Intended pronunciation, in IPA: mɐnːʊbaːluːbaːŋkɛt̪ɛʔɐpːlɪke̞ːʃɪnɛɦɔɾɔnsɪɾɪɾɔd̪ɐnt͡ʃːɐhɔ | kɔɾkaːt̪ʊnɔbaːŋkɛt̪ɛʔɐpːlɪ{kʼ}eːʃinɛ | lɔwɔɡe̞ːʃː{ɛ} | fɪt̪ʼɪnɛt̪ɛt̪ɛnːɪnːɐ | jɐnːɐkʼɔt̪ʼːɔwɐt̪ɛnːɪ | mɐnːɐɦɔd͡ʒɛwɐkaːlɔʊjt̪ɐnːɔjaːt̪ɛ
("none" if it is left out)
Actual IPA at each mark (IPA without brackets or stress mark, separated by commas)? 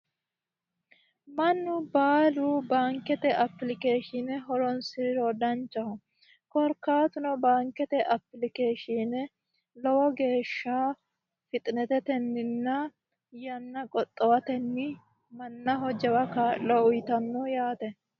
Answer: k, a